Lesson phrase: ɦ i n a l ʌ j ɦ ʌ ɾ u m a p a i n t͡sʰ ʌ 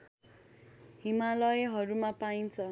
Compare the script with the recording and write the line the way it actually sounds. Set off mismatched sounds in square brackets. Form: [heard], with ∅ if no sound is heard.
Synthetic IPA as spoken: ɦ i [m] a l ʌ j ɦ ʌ ɾ u m a p a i n t͡sʰ ʌ